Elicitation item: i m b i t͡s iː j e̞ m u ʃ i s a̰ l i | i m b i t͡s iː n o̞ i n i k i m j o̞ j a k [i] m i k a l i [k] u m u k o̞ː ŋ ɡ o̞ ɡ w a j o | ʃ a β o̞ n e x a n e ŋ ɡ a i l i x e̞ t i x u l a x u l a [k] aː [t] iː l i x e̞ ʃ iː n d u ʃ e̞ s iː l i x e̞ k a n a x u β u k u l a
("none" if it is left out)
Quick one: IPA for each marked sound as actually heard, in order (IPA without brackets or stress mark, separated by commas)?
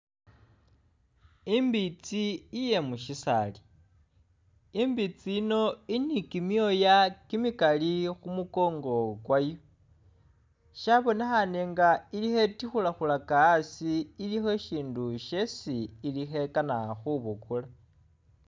i, x, k, s